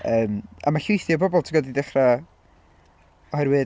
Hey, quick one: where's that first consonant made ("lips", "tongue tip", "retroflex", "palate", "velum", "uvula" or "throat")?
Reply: lips